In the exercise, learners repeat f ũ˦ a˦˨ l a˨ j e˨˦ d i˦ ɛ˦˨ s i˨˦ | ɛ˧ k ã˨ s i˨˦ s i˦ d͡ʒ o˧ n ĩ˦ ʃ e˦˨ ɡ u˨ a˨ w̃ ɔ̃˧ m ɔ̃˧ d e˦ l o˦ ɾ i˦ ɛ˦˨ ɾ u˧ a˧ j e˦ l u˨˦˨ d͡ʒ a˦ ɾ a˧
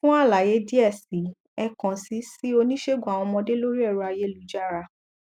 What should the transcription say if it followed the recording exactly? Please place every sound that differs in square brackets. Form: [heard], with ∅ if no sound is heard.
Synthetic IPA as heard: f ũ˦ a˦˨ l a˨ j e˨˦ d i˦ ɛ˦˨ s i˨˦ | ɛ˧ k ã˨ s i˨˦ s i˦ [∅] o˧ n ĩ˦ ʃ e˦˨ ɡ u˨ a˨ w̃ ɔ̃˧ m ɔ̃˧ d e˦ l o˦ ɾ i˦ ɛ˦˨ ɾ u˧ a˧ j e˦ l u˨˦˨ d͡ʒ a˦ ɾ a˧